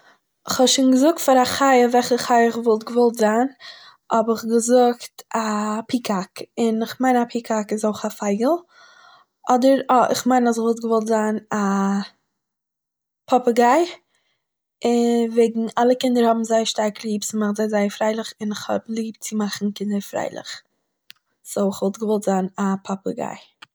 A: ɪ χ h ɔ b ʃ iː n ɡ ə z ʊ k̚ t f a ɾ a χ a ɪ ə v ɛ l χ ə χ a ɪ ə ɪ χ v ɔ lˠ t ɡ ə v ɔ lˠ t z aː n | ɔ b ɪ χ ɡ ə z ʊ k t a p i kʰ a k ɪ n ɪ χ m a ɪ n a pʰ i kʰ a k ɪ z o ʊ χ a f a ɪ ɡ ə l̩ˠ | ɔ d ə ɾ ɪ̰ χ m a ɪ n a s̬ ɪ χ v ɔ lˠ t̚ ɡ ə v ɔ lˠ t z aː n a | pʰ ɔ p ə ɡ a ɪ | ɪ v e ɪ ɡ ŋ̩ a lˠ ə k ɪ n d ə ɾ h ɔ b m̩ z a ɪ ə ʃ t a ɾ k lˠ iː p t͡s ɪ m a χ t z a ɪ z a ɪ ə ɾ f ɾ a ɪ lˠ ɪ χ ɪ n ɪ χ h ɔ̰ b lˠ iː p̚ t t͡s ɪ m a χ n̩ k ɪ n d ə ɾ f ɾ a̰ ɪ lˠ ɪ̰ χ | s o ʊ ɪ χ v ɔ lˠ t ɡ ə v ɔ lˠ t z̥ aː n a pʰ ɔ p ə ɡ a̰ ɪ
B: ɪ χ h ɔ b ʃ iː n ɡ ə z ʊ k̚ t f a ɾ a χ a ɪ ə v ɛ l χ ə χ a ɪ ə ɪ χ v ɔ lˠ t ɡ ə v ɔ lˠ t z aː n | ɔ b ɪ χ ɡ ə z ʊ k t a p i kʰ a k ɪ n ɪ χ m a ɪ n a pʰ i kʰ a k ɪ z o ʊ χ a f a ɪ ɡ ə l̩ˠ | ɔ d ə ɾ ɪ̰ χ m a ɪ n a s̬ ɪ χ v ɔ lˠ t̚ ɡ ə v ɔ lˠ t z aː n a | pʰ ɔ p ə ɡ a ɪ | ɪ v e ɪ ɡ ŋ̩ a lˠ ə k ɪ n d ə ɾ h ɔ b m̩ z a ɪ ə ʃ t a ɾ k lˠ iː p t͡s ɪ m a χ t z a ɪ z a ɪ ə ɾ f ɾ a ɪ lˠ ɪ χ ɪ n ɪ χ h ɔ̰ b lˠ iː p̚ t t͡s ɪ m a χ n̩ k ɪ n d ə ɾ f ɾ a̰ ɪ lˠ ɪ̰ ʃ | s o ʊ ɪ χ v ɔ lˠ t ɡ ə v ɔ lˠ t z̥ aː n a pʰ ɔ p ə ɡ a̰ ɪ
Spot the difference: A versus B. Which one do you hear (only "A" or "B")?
A